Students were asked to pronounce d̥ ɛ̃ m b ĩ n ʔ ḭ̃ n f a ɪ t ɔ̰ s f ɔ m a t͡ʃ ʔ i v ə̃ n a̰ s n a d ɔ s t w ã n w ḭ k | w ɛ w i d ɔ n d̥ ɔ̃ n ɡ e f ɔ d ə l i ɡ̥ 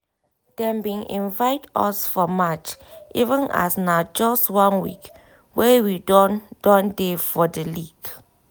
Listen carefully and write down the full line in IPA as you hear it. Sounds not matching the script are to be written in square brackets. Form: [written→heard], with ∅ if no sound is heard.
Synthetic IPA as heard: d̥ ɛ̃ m b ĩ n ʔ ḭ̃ n [f→v] a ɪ t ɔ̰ s f ɔ m a t͡ʃ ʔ i v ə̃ n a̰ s n a [d→d͡ʒ] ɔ s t w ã n w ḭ k | w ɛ w i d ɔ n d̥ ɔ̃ n [ɡ→d] e f ɔ d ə l i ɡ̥